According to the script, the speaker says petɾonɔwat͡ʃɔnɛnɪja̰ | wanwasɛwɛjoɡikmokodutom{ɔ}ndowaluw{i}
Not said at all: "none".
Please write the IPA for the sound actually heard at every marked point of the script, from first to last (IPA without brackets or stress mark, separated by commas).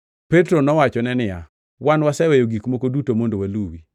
o, i